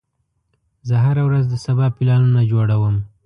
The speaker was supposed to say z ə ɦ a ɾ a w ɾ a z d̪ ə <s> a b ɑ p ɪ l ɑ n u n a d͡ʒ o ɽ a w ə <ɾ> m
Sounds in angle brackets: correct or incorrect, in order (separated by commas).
correct, incorrect